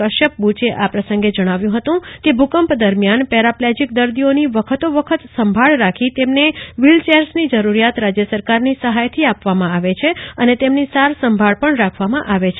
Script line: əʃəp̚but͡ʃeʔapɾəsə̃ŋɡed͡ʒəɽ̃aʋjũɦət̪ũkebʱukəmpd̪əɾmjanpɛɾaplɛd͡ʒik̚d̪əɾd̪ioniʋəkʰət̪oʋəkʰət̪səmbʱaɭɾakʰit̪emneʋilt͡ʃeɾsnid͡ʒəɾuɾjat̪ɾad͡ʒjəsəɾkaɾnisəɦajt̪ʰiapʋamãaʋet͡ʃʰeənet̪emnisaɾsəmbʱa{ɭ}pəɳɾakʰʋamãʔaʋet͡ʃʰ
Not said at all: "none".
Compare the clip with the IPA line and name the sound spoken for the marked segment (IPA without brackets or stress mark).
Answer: ɭ